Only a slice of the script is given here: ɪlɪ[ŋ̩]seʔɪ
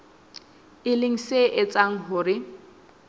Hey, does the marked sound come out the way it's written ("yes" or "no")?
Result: yes